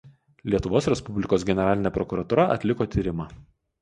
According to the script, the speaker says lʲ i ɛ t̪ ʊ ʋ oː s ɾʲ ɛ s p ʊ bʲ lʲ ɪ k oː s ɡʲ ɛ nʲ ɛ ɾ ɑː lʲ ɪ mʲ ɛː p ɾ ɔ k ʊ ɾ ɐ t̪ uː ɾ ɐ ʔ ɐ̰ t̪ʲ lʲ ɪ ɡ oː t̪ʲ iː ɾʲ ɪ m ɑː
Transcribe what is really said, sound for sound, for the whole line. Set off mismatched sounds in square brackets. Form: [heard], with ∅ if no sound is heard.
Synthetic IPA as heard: lʲ i ɛ t̪ ʊ ʋ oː s ɾʲ ɛ s p ʊ bʲ lʲ ɪ k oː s ɡʲ ɛ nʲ ɛ ɾ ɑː lʲ ɪ [nʲ] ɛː p ɾ ɔ k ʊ ɾ ɐ t̪ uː ɾ ɐ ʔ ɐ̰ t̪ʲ lʲ ɪ [k] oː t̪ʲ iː ɾʲ ɪ m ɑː